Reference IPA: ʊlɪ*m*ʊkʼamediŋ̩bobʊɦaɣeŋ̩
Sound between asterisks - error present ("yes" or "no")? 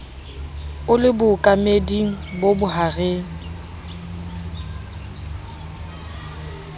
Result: yes